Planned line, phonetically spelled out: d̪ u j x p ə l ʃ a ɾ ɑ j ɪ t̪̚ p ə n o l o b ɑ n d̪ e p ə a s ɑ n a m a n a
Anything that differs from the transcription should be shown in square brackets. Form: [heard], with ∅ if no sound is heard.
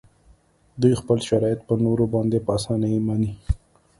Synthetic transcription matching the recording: d̪ u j x p ə l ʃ a ɾ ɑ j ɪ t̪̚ p ə n o [ɾ] o b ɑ n d̪ e p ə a s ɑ n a m a n [i]